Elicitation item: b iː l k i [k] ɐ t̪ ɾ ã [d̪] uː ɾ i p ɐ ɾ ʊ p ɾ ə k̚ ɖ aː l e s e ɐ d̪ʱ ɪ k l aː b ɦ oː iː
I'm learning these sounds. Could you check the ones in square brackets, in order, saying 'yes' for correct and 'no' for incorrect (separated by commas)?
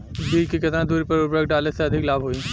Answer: yes, yes